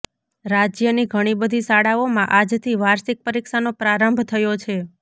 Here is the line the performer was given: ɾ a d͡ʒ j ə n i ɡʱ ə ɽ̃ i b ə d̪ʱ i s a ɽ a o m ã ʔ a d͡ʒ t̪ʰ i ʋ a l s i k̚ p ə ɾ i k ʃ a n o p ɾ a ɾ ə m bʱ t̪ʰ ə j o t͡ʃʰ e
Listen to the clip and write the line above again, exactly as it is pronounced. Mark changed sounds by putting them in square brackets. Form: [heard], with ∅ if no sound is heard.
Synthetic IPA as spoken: ɾ a d͡ʒ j ə n i ɡʱ ə ɽ̃ i b ə d̪ʱ i s a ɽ a o m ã ʔ a d͡ʒ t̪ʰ i ʋ a [ɾ] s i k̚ p ə ɾ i k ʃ a n o p ɾ a ɾ ə m bʱ t̪ʰ ə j o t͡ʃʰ e